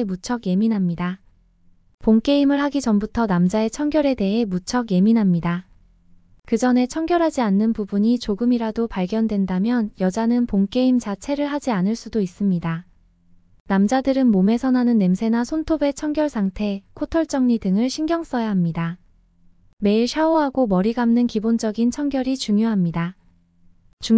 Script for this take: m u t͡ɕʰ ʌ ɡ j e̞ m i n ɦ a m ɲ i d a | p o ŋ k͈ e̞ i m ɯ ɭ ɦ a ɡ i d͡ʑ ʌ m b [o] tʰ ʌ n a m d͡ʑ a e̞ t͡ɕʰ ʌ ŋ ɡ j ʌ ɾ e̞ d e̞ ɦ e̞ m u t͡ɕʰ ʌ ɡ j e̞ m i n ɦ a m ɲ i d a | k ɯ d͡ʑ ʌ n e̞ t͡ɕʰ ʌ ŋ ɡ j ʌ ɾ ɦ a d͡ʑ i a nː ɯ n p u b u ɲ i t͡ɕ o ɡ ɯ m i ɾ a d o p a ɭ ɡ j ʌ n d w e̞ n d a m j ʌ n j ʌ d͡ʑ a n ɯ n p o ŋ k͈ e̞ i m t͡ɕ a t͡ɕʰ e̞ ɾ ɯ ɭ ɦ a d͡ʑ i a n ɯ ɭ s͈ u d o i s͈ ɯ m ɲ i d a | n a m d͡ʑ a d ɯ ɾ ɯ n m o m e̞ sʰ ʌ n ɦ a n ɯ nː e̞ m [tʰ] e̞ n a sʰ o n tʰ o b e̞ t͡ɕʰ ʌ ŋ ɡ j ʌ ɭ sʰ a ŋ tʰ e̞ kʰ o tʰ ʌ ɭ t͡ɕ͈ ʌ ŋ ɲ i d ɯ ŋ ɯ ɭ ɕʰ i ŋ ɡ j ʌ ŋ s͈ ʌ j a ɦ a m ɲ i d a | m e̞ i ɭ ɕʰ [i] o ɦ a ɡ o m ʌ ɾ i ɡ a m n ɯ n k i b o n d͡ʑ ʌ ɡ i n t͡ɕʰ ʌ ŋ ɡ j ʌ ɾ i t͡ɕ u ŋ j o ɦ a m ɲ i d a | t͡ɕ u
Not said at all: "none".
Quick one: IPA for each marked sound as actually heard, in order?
u, sʰ, a

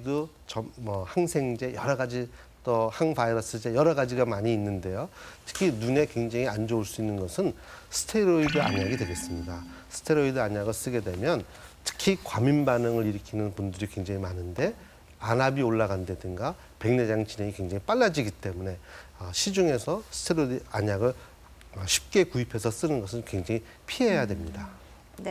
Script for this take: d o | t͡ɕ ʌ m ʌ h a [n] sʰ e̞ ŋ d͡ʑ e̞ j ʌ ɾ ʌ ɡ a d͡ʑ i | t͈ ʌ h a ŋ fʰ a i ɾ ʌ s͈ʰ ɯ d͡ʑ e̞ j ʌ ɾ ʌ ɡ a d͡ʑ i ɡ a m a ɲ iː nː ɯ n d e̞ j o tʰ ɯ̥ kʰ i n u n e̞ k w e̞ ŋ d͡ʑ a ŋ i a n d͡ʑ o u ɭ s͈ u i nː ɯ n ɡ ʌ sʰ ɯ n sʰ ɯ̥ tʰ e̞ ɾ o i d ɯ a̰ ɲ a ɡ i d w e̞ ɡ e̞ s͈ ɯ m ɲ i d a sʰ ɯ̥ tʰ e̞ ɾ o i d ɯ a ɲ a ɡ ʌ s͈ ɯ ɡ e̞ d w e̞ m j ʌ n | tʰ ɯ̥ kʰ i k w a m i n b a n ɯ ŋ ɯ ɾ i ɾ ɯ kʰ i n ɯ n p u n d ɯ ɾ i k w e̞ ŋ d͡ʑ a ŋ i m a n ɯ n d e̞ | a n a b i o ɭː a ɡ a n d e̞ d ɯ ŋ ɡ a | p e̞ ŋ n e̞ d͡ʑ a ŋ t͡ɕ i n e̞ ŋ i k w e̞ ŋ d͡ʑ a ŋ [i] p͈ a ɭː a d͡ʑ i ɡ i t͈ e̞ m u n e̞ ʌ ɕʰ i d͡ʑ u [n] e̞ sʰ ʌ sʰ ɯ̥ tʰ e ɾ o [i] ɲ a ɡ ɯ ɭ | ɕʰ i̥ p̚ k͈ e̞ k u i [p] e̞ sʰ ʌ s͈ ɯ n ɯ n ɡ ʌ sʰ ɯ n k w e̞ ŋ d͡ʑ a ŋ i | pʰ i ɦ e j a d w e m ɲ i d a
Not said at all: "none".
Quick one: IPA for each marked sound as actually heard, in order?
ŋ, i, ŋ, a, pʰ

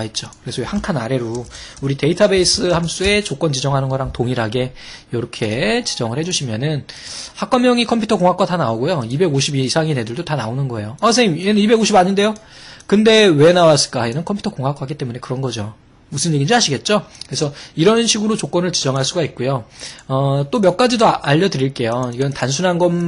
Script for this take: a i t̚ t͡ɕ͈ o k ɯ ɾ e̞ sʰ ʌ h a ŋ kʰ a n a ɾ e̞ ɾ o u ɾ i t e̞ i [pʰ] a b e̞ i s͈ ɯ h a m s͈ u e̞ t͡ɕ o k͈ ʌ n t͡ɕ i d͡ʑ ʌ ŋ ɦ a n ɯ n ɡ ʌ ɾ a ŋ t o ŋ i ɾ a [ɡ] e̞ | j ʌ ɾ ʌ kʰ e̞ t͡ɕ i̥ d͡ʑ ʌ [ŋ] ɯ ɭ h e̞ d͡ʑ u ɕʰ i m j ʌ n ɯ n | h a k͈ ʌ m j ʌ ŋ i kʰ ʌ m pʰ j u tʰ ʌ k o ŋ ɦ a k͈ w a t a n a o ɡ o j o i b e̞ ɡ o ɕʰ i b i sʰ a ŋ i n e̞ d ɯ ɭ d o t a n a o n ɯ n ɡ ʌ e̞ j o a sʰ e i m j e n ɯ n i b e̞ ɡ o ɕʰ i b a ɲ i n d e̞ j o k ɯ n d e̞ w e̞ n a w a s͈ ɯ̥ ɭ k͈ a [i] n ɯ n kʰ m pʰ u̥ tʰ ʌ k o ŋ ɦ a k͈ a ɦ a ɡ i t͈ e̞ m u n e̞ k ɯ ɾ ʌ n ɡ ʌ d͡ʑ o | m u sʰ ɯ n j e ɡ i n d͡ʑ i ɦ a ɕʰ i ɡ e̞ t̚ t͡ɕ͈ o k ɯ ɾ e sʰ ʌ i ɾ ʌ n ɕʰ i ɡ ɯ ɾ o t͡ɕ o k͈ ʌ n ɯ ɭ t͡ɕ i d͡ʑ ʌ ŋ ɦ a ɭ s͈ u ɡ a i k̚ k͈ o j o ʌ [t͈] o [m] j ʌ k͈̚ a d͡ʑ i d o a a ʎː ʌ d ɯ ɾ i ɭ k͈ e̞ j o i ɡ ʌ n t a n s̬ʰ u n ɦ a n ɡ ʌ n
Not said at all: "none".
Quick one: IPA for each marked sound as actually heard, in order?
tʰ, ɡ, ŋ, e, t͈, m

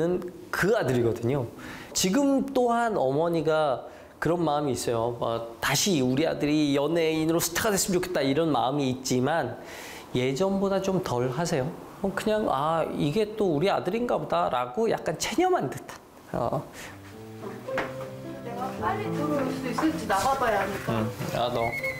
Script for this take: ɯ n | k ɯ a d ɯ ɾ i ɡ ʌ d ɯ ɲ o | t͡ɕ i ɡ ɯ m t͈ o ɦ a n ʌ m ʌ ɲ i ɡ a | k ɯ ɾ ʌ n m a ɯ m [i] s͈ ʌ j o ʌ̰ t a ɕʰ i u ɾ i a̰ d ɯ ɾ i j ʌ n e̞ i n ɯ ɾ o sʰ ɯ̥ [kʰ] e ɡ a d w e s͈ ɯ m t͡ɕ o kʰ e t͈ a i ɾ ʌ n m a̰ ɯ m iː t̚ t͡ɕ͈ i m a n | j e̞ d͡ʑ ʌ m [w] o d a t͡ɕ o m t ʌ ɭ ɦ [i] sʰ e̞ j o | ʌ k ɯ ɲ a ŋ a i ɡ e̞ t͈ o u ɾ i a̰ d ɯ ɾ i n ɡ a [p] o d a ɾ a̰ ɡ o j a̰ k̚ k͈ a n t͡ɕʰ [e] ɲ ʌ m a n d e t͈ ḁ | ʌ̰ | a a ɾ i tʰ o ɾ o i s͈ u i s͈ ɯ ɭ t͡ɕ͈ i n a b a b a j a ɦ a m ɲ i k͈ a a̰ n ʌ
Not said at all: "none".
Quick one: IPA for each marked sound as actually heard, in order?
iː, tʰ, b, a, b, e

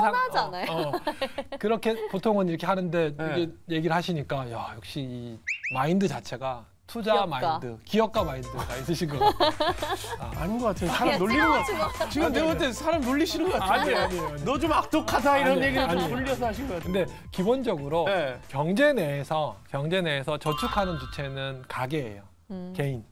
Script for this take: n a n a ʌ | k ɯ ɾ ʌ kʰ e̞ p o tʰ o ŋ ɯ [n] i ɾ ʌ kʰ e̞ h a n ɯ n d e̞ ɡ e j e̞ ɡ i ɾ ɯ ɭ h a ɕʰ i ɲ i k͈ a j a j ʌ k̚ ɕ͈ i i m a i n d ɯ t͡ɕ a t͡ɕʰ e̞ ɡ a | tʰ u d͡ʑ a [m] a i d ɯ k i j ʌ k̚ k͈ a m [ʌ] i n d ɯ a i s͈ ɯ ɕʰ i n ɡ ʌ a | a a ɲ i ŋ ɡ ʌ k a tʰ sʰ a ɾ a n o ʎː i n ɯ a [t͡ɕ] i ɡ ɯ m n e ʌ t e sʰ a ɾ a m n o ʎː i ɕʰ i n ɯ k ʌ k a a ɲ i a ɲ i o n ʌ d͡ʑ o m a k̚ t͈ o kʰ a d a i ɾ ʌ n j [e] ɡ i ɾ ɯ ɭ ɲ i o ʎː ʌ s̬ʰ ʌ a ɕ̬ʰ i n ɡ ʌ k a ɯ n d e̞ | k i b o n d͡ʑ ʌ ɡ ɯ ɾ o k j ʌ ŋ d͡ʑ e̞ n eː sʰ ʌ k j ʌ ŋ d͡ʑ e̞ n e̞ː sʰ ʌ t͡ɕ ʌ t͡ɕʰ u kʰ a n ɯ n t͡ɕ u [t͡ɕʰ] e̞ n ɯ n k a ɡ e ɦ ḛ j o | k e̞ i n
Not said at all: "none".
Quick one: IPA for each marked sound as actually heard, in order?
n, m, a, t͡ɕ, e, t͡ɕʰ

